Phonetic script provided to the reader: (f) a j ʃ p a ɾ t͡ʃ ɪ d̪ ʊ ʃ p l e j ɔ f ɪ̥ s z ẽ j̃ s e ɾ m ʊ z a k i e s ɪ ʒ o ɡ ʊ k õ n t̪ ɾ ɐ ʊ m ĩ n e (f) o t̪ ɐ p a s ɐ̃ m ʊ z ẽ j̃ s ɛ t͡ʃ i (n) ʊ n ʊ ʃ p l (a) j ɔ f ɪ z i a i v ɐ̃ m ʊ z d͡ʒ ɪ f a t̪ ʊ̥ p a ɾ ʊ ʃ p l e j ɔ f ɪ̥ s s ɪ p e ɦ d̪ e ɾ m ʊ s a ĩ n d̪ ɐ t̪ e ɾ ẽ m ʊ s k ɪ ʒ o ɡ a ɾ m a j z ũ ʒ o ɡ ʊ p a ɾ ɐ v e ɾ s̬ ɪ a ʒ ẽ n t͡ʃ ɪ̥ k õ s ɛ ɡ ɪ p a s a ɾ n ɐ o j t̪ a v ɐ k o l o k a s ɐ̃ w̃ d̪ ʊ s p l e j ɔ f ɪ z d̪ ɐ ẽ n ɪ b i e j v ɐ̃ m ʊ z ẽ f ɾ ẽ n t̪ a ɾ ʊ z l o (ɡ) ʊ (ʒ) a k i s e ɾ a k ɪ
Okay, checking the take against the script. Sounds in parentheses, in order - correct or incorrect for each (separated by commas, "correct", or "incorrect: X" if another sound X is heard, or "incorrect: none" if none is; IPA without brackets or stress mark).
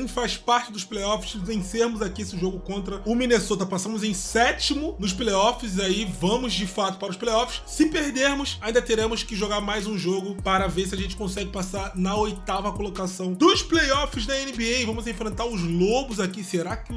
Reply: correct, incorrect: s, incorrect: m, incorrect: e, incorrect: b, incorrect: z